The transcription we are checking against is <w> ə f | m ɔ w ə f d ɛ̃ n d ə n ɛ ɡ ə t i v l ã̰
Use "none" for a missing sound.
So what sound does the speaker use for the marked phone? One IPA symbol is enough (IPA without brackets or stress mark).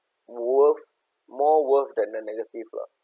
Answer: w